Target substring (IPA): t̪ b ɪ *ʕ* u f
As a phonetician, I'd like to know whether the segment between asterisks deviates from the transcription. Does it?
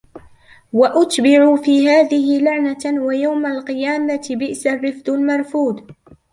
no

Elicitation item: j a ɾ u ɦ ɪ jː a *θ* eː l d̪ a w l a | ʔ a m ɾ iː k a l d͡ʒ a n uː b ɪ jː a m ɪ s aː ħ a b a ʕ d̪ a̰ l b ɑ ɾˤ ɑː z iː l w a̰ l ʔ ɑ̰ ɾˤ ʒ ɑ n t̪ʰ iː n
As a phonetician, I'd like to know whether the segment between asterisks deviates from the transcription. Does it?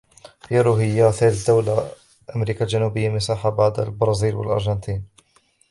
no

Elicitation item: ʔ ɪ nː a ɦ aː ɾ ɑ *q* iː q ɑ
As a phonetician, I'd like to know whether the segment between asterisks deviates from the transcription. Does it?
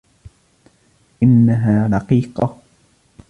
no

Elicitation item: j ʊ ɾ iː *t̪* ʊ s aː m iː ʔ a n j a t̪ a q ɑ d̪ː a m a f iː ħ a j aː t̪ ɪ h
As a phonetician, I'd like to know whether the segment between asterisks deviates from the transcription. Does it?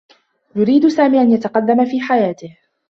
yes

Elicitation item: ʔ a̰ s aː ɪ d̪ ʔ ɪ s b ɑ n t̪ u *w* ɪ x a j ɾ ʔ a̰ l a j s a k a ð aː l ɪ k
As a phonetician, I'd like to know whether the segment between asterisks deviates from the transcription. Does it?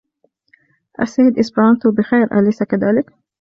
yes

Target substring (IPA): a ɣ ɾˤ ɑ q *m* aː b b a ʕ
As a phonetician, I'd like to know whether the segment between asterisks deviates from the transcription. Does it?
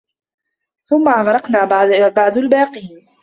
yes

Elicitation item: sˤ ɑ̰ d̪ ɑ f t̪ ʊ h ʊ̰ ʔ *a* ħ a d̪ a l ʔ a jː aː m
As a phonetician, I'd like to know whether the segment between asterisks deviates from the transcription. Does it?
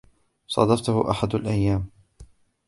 no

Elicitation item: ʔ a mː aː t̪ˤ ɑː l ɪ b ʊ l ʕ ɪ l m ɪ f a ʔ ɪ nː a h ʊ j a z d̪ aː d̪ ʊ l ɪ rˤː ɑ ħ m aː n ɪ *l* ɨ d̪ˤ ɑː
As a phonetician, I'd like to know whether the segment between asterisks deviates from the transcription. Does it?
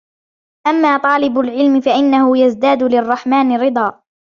yes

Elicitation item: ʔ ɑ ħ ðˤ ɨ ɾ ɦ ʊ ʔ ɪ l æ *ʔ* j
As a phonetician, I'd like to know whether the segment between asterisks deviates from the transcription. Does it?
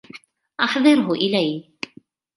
yes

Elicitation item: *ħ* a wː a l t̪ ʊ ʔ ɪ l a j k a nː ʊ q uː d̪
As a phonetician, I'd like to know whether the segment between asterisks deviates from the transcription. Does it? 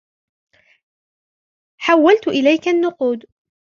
no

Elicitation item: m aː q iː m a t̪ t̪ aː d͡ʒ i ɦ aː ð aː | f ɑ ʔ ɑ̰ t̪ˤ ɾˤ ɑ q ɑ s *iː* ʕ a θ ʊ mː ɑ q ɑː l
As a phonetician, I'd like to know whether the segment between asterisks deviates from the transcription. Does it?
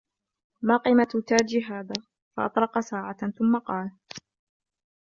yes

